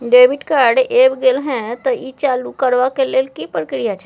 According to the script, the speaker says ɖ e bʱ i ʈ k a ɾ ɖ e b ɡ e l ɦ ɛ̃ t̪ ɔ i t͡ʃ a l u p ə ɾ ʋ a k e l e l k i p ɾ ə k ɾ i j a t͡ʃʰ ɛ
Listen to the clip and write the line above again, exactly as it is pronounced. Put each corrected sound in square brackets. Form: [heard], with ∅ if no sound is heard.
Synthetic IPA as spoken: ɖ e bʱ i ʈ k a ɾ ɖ e b ɡ e l ɦ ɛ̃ t̪ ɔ i t͡ʃ a l u [k] ə ɾ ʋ a k e l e l k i p ɾ ə k ɾ i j a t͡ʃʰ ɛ